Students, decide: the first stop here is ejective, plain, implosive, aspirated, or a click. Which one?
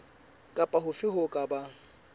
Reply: ejective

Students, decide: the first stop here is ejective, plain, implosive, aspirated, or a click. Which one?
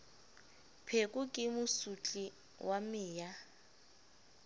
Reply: aspirated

